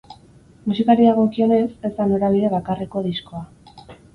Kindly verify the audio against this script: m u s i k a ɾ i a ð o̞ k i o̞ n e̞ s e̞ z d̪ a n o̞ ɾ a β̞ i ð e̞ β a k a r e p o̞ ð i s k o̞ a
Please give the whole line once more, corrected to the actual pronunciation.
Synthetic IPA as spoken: m u s i k a ɾ i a ɣ o̞ k i o̞ n e̞ s e̞ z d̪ a n o̞ ɾ a β̞ i ð e̞ β a k a r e k o̞ ð i s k o̞ a